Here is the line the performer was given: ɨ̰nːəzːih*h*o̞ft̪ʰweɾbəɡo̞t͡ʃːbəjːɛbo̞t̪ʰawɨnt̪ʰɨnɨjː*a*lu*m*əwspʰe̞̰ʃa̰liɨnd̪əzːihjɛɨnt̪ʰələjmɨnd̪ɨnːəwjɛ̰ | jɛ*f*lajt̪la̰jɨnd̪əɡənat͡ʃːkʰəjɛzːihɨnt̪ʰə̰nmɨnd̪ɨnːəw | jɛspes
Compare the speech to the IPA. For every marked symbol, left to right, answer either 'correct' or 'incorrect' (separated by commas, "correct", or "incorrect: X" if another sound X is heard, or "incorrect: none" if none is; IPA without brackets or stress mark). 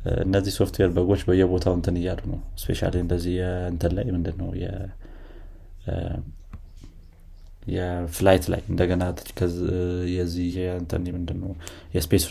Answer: incorrect: s, correct, incorrect: n, correct